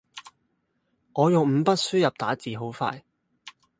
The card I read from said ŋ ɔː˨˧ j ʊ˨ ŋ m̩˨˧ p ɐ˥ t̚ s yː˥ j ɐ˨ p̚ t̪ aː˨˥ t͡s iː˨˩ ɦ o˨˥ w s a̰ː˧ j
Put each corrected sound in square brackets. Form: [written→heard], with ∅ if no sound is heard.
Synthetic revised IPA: ŋ ɔː˨˧ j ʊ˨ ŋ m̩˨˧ p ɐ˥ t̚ s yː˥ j ɐ˨ p̚ t̪ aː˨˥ t͡s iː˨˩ ɦ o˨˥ w [s→f] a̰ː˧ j